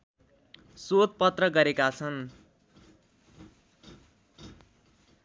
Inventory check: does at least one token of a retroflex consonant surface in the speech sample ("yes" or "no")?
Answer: no